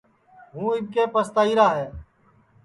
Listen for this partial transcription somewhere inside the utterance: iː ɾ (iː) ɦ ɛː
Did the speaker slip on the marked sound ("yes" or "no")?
yes